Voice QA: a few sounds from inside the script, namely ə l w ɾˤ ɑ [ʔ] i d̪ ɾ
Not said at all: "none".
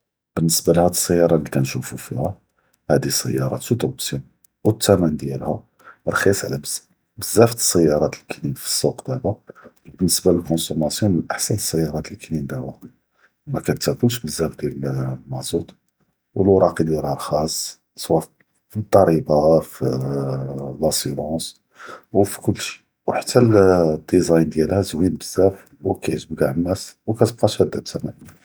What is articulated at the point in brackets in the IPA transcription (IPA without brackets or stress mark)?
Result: q